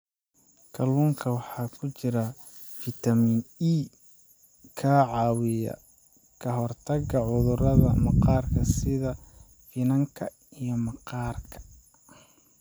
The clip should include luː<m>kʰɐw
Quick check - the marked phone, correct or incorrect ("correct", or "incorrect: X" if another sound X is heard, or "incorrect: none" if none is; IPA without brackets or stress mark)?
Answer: incorrect: ŋ